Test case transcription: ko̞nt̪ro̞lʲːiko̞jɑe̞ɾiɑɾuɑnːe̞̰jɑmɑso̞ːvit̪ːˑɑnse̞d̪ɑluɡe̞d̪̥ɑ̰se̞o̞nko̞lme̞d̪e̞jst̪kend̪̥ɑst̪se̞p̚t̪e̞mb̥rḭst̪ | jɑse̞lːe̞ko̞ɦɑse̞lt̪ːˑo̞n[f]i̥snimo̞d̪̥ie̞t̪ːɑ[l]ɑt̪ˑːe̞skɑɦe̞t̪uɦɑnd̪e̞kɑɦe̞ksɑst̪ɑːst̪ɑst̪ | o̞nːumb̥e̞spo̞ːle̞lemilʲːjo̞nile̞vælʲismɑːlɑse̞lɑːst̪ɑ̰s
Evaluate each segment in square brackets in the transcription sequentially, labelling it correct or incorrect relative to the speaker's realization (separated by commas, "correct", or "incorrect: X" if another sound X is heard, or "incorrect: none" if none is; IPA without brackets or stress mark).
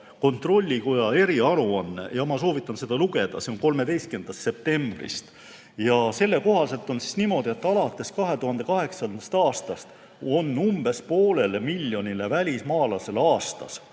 incorrect: s, correct